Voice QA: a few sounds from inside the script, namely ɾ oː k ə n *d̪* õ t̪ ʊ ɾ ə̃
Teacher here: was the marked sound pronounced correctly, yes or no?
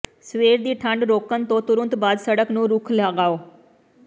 no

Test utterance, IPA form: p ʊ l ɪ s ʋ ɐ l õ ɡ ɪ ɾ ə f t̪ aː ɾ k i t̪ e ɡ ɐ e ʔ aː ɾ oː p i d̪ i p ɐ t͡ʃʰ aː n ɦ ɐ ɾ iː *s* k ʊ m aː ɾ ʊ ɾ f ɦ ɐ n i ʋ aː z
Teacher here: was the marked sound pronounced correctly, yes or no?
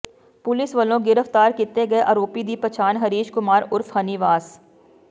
no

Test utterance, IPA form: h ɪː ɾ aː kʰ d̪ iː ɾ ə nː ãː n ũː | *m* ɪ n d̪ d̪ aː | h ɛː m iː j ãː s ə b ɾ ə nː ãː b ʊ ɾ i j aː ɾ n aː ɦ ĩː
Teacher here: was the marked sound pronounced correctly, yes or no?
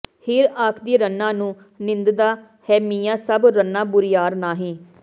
no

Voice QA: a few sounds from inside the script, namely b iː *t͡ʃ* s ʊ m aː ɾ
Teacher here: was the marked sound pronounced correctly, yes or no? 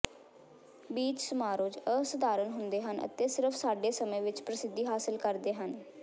yes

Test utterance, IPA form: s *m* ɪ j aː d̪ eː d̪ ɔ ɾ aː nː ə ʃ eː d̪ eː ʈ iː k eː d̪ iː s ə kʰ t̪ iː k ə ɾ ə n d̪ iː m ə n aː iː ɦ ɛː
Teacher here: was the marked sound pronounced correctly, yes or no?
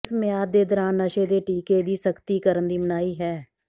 yes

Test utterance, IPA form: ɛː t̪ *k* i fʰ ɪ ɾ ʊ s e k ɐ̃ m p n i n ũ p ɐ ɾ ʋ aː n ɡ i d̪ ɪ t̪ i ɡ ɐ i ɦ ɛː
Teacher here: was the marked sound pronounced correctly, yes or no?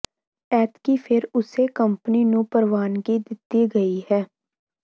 yes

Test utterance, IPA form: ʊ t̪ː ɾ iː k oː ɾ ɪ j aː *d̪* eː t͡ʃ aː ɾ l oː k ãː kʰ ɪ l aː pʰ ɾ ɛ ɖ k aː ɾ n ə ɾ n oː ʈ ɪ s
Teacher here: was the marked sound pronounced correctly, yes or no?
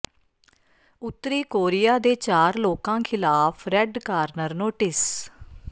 yes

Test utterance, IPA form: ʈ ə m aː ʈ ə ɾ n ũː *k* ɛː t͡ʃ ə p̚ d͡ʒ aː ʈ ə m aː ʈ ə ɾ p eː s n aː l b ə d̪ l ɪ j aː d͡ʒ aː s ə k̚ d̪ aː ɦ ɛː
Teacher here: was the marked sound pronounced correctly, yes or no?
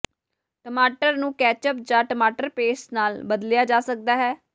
yes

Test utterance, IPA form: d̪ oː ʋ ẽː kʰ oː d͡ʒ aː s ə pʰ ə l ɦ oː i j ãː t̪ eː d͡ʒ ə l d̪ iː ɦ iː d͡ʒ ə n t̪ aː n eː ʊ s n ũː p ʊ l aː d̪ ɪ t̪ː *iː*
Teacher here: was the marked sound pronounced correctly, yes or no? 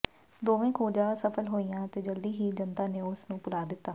no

